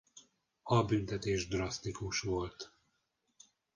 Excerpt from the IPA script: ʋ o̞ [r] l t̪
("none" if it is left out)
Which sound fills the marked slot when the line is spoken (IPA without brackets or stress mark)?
none